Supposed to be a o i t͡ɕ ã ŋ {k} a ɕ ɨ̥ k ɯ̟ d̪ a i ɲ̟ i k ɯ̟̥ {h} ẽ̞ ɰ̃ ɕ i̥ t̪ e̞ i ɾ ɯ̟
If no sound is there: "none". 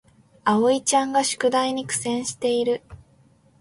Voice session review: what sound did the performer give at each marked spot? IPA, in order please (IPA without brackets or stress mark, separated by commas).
ɡ, s